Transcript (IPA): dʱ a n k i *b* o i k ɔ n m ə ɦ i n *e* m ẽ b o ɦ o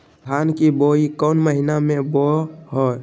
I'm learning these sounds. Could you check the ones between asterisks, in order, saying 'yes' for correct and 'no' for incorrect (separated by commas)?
yes, no